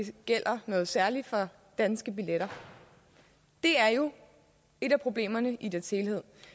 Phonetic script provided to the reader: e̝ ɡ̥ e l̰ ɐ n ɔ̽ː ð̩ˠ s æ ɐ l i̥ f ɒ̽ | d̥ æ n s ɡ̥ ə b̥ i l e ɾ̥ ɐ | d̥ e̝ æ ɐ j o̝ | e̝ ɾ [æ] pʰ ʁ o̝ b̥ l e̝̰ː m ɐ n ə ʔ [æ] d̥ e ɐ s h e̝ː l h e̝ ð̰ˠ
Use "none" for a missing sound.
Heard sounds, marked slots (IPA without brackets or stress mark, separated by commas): æ, i